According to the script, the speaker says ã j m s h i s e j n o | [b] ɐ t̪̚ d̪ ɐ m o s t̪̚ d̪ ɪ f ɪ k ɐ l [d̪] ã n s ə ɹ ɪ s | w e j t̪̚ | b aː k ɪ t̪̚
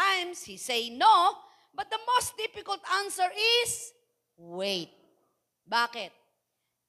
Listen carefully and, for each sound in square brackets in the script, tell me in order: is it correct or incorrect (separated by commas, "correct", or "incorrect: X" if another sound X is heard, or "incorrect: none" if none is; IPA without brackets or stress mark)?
correct, incorrect: t̪